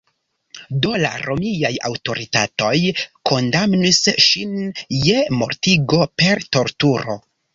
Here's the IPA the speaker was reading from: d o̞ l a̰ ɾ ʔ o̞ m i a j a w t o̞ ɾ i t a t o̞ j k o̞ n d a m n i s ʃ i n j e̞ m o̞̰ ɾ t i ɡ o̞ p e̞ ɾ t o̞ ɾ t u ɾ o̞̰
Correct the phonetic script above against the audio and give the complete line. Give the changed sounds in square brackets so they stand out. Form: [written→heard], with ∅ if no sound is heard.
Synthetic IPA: d o̞ l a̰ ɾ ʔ o̞ m i a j a w t o̞ ɾ i t a t o̞ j k o̞ n d a m n i s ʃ i n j e̞ m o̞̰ ɾ t i ɡ o̞ p e̞ ɾ t o̞ ɾ t u ɾ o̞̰